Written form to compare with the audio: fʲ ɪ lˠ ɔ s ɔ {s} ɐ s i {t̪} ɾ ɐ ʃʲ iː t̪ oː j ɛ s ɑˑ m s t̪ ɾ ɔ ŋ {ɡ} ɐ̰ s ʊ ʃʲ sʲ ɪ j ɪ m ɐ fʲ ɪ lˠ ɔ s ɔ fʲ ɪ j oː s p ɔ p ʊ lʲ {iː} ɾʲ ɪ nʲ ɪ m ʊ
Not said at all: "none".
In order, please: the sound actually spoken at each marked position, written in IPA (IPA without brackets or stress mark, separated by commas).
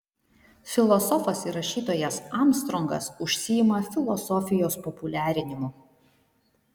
f, none, ɡ, æː